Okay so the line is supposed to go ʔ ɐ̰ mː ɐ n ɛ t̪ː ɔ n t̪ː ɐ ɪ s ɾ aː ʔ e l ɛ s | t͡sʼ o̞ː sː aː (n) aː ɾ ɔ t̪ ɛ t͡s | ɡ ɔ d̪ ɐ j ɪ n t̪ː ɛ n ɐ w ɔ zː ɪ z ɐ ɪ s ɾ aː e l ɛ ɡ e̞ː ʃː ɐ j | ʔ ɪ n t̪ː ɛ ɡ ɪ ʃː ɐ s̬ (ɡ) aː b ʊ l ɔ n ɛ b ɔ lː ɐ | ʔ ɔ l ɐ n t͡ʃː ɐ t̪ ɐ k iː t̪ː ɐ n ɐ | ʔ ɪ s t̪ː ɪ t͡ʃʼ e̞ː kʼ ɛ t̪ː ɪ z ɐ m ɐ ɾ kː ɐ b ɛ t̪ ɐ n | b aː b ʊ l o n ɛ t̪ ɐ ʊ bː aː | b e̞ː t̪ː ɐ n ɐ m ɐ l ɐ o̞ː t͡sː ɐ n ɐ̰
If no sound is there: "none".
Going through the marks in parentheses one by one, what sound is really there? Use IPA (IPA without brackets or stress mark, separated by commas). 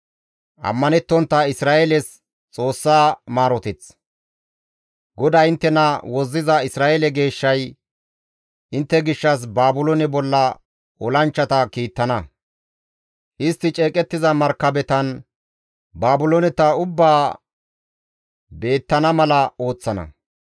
m, b